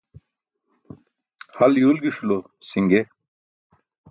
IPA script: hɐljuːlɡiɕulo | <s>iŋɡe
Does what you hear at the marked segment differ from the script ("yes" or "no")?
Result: no